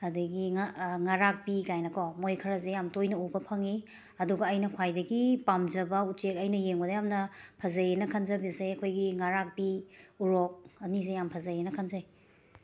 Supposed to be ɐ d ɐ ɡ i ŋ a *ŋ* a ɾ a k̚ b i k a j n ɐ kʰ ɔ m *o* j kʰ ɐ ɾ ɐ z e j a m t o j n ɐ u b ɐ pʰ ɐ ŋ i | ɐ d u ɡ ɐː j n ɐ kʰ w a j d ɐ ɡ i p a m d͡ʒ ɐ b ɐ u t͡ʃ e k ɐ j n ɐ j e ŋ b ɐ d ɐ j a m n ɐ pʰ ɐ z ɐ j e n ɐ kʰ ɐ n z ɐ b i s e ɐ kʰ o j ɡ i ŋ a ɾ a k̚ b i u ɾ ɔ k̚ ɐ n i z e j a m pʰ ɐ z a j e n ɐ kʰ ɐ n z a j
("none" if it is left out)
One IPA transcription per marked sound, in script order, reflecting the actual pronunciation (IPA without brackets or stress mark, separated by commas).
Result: ŋ, o